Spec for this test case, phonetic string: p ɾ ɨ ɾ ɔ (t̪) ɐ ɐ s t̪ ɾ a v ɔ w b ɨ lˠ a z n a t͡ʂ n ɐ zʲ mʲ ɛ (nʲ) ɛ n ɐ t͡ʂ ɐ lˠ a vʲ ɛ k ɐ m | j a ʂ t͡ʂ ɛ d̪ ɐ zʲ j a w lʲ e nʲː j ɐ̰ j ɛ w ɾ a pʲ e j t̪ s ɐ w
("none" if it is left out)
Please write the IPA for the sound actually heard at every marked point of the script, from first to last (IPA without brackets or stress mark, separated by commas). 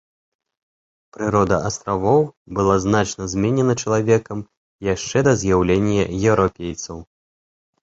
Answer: d̪, nʲ